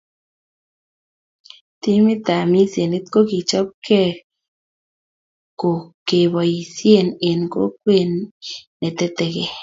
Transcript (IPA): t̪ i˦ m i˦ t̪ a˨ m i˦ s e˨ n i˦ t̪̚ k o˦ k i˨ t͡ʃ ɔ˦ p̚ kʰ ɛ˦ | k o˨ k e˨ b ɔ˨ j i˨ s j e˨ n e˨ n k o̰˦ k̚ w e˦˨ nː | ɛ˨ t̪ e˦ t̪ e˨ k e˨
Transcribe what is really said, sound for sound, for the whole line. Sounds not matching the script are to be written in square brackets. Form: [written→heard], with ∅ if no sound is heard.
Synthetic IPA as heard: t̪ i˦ m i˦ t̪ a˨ m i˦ s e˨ n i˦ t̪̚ k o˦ k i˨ t͡ʃ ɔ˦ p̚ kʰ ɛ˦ | k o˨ k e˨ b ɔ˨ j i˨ s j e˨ n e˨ n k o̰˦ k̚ w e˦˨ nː | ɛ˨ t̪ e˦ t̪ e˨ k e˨